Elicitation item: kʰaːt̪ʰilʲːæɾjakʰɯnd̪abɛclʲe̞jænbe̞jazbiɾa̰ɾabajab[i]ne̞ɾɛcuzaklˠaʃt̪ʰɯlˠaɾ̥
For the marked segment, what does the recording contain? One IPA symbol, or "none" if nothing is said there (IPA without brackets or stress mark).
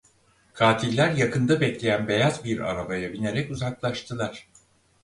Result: i